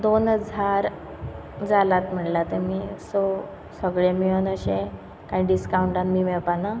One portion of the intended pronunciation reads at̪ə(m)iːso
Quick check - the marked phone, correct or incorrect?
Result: correct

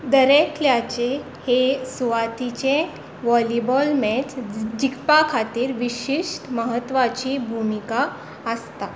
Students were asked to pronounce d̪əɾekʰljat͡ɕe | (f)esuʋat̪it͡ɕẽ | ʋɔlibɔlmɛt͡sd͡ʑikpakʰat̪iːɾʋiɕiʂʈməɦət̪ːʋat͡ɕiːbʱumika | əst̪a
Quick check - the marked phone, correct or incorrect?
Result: incorrect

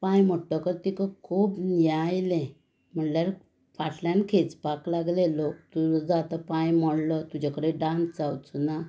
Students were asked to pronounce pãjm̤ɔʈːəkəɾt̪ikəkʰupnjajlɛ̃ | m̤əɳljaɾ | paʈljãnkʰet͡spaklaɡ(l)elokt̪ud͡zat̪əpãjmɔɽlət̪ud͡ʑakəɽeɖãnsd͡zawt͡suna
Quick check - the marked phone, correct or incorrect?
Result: correct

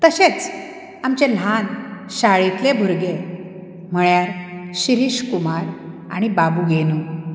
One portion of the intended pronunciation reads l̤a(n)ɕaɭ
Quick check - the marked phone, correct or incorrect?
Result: correct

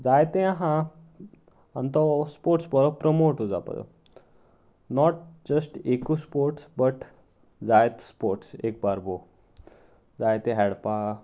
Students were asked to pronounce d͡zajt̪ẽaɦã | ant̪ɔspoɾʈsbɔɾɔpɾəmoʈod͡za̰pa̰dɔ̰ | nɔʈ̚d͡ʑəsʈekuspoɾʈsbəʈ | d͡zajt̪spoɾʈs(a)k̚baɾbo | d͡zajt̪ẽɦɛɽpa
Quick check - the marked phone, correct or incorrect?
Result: incorrect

